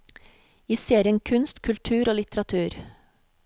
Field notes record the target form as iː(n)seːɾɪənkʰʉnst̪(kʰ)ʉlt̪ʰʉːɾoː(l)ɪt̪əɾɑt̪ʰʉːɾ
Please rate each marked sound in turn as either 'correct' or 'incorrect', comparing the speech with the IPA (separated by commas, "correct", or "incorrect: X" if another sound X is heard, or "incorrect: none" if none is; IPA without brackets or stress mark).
incorrect: none, correct, correct